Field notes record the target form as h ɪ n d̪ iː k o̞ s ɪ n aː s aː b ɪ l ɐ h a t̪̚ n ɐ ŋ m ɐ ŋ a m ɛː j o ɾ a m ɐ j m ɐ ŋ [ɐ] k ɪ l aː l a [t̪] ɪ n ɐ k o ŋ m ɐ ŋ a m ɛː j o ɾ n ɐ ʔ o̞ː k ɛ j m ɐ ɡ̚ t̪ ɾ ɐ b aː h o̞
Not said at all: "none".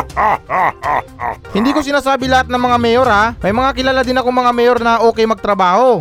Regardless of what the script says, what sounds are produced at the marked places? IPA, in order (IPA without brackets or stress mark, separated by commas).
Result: a, d̪